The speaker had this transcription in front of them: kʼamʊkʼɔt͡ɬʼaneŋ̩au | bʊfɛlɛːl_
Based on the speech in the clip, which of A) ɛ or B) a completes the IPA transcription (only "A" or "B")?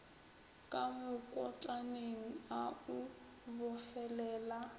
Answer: B